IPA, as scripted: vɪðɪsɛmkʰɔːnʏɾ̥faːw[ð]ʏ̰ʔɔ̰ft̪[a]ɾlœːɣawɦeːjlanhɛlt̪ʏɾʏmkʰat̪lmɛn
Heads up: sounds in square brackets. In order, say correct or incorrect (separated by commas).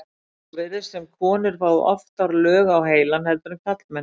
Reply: correct, correct